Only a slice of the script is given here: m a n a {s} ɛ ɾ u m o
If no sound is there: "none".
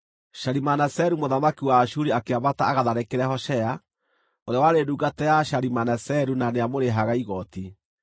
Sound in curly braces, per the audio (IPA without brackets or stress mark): s